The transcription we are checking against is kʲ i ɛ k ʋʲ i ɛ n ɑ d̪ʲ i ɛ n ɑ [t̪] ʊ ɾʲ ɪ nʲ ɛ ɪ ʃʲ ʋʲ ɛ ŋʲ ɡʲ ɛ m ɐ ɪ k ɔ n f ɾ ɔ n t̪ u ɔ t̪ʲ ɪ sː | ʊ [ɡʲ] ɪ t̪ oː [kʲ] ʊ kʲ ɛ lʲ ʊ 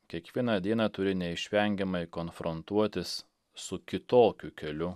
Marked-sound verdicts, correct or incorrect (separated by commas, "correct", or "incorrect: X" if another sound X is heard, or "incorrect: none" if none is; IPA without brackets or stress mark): correct, incorrect: kʲ, correct